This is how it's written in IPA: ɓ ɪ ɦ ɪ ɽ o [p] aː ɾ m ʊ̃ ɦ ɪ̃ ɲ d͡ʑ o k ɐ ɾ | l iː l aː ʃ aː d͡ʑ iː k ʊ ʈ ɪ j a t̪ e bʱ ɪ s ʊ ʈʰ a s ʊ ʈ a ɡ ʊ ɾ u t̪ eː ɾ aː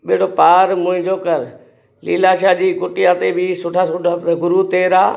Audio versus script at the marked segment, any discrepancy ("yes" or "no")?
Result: no